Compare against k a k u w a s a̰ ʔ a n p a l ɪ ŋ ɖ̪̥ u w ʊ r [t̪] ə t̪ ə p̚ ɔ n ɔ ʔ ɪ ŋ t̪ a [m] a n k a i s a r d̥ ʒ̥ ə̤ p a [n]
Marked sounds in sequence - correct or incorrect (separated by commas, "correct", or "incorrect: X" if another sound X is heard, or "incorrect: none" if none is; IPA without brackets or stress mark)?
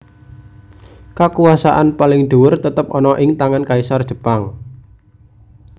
correct, incorrect: ŋ, incorrect: ŋ